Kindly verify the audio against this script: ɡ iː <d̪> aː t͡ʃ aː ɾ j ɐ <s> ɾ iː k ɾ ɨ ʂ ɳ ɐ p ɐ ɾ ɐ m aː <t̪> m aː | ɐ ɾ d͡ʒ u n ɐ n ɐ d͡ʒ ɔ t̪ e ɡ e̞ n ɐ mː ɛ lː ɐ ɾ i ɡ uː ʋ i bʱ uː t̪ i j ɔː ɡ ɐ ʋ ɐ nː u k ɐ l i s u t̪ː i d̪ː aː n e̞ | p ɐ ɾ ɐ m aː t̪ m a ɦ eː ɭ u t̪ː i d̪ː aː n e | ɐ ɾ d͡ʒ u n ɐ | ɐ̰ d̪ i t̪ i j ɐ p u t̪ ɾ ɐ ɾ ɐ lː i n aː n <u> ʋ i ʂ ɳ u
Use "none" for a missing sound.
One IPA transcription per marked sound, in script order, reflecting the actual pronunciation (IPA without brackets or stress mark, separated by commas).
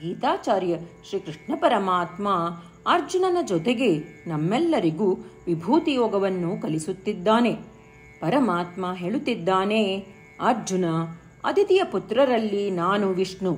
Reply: t̪, ʃ, t̪, u